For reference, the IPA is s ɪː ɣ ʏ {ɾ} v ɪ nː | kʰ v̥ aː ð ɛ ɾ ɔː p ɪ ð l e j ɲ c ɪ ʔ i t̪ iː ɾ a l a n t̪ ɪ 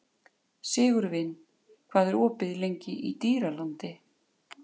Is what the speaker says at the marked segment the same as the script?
yes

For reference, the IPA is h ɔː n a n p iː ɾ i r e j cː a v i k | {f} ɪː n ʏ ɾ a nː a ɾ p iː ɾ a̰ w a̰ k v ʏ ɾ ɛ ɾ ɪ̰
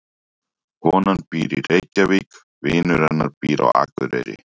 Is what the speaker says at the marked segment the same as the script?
no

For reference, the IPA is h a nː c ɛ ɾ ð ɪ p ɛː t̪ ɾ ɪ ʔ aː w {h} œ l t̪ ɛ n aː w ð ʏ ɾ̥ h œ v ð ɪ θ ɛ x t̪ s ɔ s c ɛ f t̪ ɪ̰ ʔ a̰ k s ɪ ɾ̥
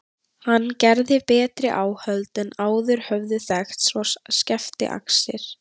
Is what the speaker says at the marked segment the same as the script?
yes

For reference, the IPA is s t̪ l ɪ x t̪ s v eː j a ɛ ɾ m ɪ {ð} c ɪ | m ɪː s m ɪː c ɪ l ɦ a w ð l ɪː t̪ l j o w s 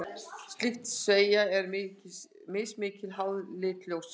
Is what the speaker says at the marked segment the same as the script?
no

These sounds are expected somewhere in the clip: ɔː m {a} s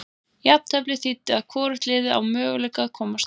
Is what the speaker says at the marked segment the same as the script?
yes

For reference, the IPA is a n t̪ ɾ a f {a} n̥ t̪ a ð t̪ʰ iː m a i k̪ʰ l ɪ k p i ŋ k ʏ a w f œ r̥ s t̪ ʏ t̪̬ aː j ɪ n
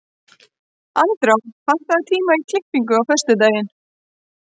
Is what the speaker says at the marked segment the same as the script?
yes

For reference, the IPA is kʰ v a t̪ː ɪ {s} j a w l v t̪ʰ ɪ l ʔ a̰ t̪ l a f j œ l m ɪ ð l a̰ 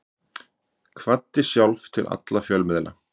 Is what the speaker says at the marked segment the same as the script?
yes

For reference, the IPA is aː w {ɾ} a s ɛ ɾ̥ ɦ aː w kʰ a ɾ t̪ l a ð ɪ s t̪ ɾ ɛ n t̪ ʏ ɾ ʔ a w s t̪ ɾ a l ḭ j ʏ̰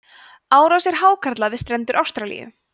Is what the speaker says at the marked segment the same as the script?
yes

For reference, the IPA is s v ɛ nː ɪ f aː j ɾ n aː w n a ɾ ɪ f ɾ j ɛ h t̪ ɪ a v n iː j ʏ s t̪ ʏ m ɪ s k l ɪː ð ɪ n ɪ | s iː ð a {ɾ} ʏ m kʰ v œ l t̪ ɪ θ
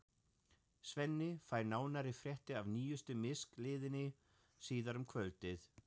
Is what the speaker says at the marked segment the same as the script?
yes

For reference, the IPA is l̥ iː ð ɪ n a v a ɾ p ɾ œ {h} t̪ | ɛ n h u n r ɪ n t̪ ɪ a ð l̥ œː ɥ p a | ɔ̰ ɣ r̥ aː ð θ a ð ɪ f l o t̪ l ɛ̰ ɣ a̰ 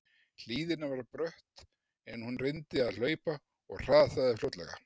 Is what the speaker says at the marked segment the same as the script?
yes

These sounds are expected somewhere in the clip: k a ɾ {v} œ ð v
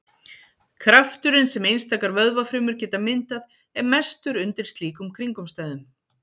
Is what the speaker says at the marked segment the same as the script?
yes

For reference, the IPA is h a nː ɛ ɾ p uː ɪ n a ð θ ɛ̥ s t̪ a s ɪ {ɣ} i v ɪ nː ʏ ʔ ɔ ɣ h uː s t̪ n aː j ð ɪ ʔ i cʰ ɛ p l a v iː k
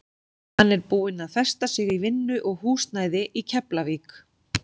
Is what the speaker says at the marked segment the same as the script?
yes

